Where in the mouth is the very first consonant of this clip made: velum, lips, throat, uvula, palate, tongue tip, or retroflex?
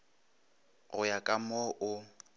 velum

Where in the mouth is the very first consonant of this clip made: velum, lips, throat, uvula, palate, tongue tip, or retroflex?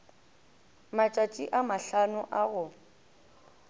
lips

